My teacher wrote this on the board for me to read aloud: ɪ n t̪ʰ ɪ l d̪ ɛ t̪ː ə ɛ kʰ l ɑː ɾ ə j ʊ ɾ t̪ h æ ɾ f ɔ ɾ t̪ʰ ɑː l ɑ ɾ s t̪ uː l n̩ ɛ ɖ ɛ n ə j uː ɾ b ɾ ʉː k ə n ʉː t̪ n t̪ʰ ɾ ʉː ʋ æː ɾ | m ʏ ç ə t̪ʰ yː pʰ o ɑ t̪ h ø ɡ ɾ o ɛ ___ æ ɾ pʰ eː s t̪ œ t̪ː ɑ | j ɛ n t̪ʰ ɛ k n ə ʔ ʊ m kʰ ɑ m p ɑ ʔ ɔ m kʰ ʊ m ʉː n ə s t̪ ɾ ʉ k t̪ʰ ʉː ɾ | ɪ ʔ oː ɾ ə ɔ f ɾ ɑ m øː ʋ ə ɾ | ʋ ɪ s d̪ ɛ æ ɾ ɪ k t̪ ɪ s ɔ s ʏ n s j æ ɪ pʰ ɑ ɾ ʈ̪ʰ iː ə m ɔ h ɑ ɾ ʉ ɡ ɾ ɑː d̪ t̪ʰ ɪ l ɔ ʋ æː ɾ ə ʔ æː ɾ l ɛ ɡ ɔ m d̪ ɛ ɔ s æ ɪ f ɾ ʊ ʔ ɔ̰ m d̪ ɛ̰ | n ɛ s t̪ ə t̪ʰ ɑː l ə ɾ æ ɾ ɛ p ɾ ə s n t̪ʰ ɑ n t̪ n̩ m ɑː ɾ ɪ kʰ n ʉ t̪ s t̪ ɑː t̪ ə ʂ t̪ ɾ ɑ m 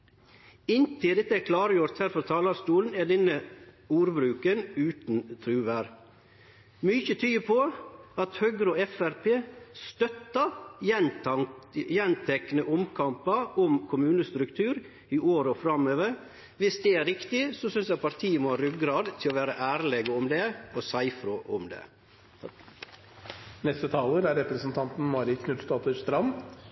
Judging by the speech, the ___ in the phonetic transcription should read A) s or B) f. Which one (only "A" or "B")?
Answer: B